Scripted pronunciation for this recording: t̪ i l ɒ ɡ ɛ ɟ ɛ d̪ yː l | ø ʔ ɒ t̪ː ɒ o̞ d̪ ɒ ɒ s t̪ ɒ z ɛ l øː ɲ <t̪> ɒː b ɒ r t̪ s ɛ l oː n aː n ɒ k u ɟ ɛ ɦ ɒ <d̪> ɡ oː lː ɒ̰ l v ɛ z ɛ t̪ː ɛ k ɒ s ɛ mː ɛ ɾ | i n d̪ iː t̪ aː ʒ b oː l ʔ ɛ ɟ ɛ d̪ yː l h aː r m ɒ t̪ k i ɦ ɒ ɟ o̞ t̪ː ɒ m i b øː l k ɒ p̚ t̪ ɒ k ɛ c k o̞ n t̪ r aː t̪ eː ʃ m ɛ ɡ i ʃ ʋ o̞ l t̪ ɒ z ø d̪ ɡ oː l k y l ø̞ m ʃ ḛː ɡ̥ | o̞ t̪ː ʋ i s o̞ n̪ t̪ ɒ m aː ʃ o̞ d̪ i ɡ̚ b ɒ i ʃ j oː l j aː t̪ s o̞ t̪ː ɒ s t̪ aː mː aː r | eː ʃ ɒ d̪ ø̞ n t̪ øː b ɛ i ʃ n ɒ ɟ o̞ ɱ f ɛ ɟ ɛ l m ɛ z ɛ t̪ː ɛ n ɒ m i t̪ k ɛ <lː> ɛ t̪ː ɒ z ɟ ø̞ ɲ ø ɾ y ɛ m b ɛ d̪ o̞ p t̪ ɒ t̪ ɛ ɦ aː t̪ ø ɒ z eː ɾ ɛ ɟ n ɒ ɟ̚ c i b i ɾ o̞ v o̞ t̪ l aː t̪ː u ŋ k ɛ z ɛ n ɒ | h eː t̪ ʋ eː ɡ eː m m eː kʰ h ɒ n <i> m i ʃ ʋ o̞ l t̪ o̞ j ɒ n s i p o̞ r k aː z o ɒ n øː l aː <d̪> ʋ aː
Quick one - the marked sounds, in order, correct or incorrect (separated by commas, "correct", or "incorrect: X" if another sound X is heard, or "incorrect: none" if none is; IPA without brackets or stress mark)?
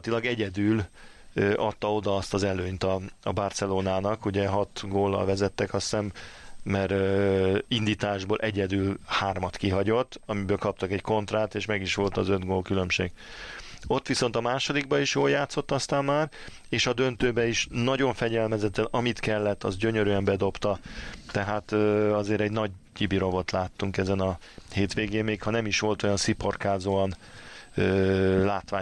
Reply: correct, incorrect: t̪, correct, incorrect: ɛ, incorrect: t̪